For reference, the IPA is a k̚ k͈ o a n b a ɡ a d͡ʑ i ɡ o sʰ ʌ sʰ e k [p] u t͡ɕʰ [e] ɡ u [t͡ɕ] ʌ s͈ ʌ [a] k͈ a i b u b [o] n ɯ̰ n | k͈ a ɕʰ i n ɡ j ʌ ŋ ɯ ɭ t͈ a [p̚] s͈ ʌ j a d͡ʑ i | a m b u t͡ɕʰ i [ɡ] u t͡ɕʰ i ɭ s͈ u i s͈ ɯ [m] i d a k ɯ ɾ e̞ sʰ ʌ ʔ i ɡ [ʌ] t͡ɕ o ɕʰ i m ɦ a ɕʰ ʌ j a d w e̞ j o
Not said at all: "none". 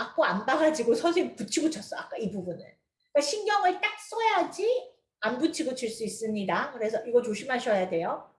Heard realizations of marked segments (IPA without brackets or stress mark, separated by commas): p, i, t͡ɕʰ, a, u, k̚, ɡ, ɲ, ʌ